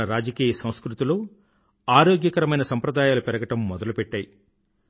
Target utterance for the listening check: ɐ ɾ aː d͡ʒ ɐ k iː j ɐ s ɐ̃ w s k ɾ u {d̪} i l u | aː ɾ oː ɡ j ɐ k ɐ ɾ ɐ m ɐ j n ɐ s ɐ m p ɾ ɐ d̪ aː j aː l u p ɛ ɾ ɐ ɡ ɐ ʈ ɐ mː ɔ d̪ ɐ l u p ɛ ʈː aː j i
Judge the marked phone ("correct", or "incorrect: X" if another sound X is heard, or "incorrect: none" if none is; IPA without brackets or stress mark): incorrect: t̪